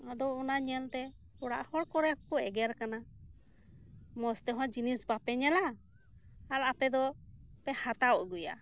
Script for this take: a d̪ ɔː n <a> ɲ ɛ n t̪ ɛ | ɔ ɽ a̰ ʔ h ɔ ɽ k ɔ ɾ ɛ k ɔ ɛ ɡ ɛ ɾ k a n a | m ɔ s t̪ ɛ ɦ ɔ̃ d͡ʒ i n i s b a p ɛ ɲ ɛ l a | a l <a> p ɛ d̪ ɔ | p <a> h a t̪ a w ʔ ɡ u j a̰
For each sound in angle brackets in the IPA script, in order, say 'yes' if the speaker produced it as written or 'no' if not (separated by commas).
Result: yes, yes, no